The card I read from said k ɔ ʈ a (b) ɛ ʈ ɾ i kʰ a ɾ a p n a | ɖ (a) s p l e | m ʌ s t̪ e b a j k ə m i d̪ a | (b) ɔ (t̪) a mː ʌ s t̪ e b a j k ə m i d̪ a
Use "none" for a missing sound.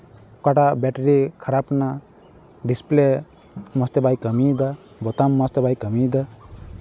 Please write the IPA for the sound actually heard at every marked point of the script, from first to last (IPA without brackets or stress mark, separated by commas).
b, i, b, t̪